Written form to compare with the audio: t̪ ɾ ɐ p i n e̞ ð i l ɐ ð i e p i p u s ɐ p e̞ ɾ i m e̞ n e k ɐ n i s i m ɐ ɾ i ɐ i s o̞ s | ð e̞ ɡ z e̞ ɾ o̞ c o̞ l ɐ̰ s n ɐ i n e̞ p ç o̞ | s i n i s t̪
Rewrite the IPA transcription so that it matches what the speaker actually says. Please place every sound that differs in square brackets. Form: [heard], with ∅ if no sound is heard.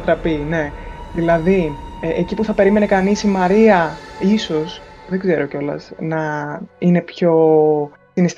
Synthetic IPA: t̪ ɾ ɐ p i n e̞ ð i l ɐ ð i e [c] i p u [θ] ɐ p e̞ ɾ i m e̞ n e k ɐ n i s i m ɐ ɾ i ɐ i s o̞ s | ð e̞ ɡ z e̞ ɾ o̞ c o̞ l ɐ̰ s n ɐ i n e̞ p ç o̞ | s i n i s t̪